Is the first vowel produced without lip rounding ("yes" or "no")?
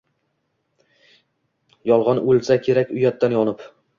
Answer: no